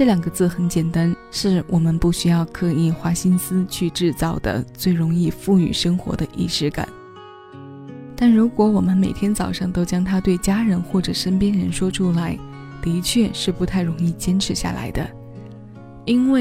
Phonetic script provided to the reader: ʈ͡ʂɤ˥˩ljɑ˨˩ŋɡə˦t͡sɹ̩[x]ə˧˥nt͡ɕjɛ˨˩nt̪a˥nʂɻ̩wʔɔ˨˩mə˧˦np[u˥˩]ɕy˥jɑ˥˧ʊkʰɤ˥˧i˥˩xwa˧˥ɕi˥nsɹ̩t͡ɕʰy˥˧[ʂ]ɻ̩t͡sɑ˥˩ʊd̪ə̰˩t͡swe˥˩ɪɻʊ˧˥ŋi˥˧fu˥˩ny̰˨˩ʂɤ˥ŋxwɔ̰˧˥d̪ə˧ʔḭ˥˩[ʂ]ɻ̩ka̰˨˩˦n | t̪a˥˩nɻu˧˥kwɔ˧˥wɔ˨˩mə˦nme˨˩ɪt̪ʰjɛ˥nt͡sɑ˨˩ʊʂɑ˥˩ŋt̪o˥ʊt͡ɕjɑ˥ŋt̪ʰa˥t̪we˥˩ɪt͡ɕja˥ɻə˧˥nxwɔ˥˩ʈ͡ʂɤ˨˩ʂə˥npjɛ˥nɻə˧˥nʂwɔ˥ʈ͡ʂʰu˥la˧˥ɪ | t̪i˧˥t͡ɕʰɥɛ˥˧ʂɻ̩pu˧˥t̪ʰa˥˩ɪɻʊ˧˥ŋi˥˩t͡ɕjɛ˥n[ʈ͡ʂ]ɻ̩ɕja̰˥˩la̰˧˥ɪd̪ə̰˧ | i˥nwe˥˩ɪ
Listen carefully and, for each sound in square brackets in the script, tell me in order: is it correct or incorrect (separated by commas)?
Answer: correct, correct, incorrect, correct, incorrect